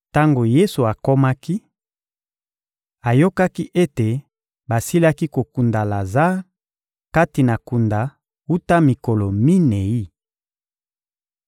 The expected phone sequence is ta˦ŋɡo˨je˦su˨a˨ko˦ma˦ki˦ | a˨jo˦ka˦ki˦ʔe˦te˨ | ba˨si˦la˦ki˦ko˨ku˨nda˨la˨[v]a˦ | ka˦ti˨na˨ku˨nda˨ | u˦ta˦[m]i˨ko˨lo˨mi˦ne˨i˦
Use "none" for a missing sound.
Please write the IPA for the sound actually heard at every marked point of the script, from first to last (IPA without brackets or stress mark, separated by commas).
z, m